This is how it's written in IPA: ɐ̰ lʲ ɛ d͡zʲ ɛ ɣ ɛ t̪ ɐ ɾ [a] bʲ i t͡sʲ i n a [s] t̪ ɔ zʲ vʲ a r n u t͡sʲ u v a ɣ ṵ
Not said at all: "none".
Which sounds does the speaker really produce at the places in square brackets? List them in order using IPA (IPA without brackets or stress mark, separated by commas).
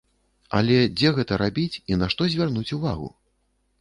a, ʂ